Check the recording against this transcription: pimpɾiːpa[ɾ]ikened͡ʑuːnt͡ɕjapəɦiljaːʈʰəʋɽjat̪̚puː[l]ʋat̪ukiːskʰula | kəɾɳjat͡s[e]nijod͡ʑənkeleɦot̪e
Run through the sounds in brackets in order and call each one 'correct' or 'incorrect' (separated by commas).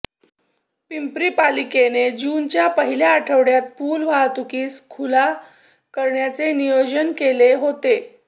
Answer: incorrect, correct, correct